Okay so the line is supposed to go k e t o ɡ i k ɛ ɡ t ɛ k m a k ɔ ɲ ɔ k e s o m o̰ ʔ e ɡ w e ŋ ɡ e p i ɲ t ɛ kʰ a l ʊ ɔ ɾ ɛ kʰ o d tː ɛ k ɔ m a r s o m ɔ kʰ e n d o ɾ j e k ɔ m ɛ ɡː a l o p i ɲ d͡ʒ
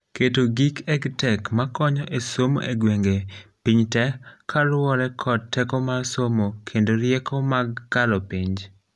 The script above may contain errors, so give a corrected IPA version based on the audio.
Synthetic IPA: k e t o ɡ i k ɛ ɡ t ɛ k m a k ɔ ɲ ɔ ʔ e s o m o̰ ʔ e ɡ w e ŋ ɡ e p i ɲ t ɛ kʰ a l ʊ ɔ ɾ ɛ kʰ ɔ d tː ɛ k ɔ m a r s o m o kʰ e n d o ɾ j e k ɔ m a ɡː a l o p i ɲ d͡ʒ